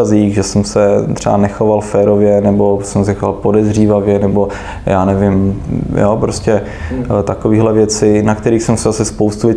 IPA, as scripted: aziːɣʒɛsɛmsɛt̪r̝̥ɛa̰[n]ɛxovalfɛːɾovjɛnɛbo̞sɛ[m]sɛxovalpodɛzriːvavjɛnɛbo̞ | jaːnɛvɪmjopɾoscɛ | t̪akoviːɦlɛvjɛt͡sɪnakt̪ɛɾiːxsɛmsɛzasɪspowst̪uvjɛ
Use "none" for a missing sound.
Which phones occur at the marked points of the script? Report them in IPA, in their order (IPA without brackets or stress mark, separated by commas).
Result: n, m